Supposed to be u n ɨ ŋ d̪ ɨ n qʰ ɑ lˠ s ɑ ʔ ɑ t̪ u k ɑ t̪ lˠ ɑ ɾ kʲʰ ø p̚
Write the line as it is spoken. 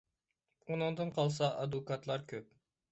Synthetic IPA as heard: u n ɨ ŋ d̪ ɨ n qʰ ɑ lˠ s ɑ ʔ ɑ d̪ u k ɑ t̪ lˠ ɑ ɾ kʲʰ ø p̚